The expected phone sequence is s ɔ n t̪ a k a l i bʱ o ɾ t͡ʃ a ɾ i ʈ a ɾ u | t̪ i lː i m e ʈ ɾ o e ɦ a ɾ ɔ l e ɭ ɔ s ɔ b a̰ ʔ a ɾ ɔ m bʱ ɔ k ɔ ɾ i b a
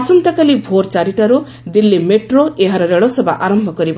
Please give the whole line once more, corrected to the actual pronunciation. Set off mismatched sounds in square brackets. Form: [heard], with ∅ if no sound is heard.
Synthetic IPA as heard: s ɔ n t̪ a k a l i bʱ o ɾ t͡ʃ a ɾ i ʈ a ɾ u | [d̪] i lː i m e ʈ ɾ o e ɦ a ɾ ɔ [ɾ] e ɭ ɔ s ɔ b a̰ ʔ a ɾ ɔ m bʱ ɔ k ɔ ɾ i b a